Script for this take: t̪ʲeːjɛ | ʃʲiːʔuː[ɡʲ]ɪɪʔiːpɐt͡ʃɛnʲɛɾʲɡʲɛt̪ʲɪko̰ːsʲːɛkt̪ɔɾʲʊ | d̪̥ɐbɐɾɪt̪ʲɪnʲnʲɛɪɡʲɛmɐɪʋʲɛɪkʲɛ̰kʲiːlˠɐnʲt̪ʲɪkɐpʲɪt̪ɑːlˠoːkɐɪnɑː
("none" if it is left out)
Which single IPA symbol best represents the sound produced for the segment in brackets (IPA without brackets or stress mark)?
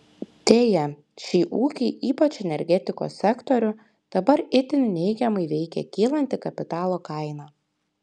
kʲ